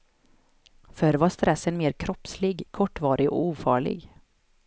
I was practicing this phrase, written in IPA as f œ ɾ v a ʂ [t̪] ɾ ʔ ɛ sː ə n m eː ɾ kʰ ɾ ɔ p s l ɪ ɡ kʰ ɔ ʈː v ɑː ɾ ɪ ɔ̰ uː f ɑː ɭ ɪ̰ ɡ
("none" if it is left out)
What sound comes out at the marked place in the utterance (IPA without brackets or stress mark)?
t̪